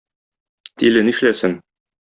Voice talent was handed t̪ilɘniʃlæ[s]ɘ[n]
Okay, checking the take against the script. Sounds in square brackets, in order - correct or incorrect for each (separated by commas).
correct, correct